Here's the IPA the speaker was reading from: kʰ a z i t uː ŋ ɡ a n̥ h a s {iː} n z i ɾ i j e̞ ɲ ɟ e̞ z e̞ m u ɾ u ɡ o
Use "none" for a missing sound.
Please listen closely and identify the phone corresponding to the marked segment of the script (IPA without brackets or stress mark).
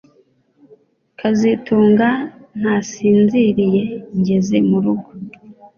iː